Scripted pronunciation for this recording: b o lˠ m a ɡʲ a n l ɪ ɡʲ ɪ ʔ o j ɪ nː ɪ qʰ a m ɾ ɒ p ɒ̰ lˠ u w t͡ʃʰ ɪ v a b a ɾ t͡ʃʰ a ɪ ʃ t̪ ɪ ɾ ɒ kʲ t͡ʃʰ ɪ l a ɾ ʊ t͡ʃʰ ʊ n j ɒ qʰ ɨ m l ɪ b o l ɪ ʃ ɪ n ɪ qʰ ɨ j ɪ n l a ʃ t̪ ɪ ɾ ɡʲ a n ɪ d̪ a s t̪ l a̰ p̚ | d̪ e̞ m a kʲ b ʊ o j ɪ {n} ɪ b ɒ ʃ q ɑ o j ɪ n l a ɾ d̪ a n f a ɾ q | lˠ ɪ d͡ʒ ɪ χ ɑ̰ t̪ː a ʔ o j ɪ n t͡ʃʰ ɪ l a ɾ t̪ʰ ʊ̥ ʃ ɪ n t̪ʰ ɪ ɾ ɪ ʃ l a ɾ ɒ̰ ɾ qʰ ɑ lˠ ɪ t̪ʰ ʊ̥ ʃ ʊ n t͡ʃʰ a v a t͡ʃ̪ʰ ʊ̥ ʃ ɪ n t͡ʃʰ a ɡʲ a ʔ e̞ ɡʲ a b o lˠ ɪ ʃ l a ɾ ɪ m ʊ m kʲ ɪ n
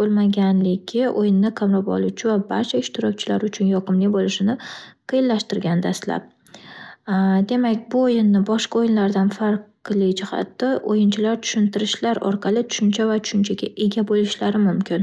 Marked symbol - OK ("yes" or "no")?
no